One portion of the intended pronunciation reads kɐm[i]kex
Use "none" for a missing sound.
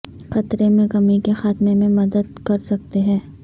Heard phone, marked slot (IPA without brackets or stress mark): i